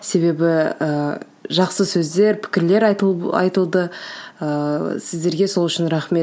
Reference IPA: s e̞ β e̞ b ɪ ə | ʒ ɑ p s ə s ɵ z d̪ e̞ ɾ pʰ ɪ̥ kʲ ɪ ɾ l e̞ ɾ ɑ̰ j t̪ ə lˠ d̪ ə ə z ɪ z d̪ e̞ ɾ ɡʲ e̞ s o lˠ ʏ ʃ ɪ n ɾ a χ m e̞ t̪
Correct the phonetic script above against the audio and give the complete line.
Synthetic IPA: s e̞ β e̞ b ɪ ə | ʒ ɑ q s ə s ɵ z d̪ e̞ ɾ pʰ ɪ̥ kʲ ɪ ɾ l e̞ ɾ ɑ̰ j t̪ ə lˠ d̪ ə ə s ɪ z d̪ e̞ ɾ ɡʲ e̞ s o lˠ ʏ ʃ ɪ n ɾ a χ m e̞ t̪